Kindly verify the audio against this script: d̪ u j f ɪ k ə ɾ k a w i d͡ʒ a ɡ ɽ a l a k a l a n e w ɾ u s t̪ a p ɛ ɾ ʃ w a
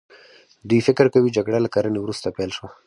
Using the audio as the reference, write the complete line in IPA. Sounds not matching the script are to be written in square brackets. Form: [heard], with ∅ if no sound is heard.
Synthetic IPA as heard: d̪ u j f ɪ k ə ɾ k a w i d͡ʒ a ɡ ɽ a l a k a [ɾ] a n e w ɾ u s t̪ a p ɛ [l] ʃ w a